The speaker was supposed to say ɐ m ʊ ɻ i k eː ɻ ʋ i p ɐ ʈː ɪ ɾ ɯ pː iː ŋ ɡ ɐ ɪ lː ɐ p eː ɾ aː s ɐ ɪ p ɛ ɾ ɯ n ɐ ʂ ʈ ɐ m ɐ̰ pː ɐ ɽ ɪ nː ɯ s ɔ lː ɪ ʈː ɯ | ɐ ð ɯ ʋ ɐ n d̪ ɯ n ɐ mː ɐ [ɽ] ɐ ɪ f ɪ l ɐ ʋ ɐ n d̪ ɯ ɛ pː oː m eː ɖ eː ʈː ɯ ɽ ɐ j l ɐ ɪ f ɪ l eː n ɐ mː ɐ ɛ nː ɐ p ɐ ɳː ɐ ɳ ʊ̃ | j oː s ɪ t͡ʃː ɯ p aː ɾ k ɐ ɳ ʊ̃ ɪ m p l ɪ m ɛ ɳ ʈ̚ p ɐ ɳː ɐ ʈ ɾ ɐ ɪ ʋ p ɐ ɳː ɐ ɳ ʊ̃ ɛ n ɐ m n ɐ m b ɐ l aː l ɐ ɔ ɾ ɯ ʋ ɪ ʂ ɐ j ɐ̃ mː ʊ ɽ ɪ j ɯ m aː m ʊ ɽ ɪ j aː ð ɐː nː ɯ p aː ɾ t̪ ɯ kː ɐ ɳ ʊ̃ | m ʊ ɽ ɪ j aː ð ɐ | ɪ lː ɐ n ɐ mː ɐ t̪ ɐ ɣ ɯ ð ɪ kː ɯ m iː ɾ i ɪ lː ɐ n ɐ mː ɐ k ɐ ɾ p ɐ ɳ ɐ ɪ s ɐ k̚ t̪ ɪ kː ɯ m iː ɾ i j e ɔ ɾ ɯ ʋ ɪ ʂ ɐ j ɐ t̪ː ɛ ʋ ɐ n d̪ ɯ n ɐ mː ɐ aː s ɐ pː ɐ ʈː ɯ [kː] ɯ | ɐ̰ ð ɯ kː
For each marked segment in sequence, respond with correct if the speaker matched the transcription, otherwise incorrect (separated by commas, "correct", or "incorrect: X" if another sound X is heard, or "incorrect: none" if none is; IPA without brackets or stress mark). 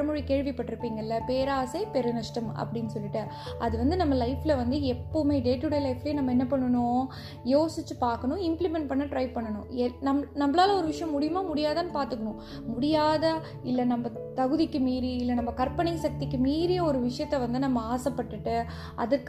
incorrect: l, incorrect: ʈː